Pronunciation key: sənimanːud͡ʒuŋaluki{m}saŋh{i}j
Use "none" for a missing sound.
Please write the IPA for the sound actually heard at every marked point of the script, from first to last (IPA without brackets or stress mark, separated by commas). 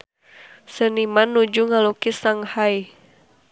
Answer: none, a